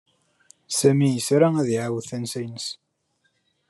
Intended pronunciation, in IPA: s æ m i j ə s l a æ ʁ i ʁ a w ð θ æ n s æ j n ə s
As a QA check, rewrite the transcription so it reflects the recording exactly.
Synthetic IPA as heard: s æ m i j ə s ɾ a æ ð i ʕ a w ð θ æ n s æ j n ə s